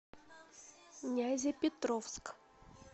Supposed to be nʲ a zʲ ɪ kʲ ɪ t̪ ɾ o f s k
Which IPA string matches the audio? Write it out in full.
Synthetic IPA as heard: nʲ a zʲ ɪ pʲ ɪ t̪ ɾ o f s k